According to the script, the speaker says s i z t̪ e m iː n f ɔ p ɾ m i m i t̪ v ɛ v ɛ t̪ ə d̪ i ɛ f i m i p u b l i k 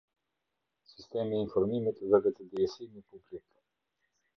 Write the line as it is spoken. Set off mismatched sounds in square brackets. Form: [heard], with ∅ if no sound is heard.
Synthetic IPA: s i [s] t̪ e m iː n f ɔ [∅] ɾ m i m i t̪ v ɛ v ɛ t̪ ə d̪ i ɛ [s] i m i p u b l i k